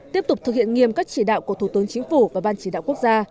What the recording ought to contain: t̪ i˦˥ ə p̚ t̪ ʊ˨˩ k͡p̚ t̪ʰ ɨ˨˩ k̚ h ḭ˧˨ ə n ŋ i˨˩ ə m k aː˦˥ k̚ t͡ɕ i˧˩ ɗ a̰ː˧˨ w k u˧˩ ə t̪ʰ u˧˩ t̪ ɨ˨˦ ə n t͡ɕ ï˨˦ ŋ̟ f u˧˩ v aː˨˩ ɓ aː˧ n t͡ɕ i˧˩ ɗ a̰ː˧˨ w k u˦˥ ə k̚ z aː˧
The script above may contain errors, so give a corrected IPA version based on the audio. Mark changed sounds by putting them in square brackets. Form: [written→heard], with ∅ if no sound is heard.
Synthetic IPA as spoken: t̪ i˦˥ ə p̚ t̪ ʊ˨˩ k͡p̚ [t̪ʰ→t̪] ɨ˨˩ k̚ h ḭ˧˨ ə n ŋ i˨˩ ə m k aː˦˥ k̚ t͡ɕ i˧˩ ɗ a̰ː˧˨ w k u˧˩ ə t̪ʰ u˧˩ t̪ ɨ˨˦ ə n t͡ɕ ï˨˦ ŋ̟ f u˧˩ v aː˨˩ ɓ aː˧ n t͡ɕ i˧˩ ɗ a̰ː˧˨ w k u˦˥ ə k̚ z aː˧